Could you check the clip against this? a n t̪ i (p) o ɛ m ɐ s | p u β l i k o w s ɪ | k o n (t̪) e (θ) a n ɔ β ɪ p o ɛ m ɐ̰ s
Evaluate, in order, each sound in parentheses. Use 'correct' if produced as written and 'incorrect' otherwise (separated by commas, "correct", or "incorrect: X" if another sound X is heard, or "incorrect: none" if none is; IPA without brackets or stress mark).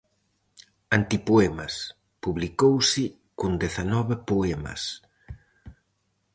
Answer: correct, incorrect: d̪, correct